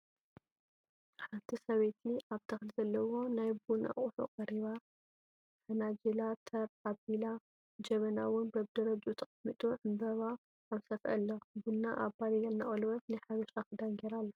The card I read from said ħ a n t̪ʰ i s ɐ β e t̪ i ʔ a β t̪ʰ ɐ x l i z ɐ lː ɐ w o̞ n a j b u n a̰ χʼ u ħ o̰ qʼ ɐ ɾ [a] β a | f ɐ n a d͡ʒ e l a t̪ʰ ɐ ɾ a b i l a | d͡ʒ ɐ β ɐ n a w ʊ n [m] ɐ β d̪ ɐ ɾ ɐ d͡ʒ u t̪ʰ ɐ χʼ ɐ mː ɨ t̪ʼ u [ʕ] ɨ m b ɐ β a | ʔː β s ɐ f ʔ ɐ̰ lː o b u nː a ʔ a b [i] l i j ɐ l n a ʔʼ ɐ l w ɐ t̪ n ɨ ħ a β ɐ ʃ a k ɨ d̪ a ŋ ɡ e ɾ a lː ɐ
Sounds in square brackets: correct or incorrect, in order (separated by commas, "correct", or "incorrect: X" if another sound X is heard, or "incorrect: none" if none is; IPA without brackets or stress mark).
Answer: incorrect: i, incorrect: b, correct, incorrect: a